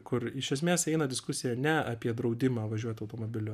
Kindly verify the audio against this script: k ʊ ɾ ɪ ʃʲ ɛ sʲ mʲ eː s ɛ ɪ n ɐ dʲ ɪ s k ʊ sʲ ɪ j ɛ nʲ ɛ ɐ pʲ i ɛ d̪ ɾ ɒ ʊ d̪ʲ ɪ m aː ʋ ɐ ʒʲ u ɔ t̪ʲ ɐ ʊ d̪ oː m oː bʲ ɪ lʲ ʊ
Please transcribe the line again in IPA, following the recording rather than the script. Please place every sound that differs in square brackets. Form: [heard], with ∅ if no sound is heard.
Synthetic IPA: k ʊ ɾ ɪ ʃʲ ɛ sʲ mʲ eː s ɛ ɪ n ɐ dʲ ɪ s k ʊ sʲ ɪ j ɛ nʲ ɛ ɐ pʲ i ɛ d̪ ɾ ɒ ʊ d̪ʲ ɪ m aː ʋ ɐ ʒʲ u ɔ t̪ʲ ɐ ʊ [t̪] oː m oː bʲ ɪ lʲ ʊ